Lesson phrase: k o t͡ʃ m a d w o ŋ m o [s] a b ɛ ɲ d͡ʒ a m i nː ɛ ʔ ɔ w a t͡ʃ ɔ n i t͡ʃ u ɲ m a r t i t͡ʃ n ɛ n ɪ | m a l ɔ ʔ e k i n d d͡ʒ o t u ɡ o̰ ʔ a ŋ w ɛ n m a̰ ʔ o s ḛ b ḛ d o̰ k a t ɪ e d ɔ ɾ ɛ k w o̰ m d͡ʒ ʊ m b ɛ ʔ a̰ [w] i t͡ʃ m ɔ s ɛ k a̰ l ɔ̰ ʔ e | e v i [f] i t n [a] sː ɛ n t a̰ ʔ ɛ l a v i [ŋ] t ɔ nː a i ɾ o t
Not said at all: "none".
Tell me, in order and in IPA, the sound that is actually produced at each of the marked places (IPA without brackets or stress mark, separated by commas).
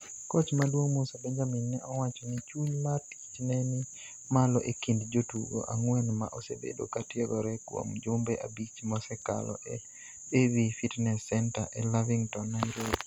s, b, f, ɛ, ŋ